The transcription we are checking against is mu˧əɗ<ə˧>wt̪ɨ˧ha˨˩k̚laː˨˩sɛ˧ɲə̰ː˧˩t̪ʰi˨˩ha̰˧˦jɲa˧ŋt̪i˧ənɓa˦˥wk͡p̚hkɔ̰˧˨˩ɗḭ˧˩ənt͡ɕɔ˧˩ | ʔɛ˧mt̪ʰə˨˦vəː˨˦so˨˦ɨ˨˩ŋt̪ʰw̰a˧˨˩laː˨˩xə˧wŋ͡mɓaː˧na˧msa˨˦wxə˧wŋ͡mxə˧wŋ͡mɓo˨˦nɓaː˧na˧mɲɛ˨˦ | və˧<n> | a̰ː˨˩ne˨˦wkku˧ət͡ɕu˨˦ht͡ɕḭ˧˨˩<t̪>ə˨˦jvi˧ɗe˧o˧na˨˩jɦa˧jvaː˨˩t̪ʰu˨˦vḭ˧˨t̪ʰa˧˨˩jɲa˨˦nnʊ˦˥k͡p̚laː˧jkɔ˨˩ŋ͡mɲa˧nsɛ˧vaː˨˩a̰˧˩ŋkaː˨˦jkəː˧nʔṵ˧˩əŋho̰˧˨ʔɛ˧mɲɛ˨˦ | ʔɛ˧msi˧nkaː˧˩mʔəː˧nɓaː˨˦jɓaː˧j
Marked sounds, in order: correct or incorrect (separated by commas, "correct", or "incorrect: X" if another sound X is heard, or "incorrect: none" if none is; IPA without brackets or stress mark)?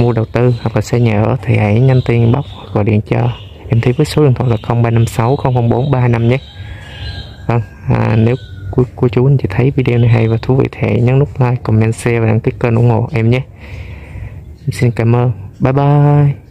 incorrect: ə˨˩, incorrect: ŋ, incorrect: t̪ʰ